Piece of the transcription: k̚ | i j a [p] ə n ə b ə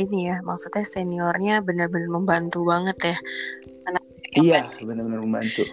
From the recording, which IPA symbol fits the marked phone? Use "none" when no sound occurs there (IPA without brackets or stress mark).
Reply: b